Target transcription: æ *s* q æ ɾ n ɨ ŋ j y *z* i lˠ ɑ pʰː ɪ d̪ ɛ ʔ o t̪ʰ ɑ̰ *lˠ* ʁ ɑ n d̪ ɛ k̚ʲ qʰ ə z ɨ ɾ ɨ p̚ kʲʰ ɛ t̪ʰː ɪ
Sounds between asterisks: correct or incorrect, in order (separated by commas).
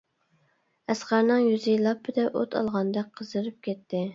correct, correct, correct